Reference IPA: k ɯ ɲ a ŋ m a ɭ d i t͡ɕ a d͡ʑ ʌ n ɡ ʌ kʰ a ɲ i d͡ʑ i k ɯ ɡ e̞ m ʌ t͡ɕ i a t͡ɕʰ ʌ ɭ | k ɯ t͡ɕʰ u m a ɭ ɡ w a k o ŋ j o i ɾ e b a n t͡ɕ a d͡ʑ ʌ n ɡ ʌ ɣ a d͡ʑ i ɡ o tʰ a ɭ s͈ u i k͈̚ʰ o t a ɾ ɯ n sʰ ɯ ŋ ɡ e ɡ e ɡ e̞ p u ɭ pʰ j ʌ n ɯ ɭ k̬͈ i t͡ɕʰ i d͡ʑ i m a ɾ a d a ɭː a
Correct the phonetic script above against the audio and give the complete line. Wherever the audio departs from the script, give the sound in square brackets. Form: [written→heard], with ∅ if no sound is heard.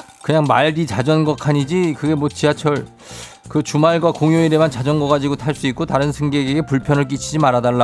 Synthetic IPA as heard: k ɯ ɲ a ŋ m a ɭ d i t͡ɕ a d͡ʑ ʌ n ɡ ʌ kʰ a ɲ i d͡ʑ i k ɯ ɡ e̞ m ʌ t͡ɕ i a t͡ɕʰ ʌ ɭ | k ɯ [t͡ɕʰ→t͡ɕ] u m a ɭ ɡ w a k o ŋ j o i ɾ e [b→m] a n t͡ɕ a d͡ʑ ʌ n ɡ ʌ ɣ a d͡ʑ i ɡ o tʰ a ɭ s͈ u i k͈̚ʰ o t a ɾ ɯ n sʰ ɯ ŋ ɡ e ɡ e ɡ e̞ p u ɭ pʰ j ʌ n ɯ ɭ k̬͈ i t͡ɕʰ i d͡ʑ i m a ɾ a d a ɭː a